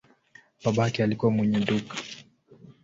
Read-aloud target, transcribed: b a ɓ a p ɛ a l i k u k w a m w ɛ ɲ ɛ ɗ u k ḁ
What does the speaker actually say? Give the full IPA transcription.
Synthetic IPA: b a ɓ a k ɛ a l i k u w a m w ɛ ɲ ɛ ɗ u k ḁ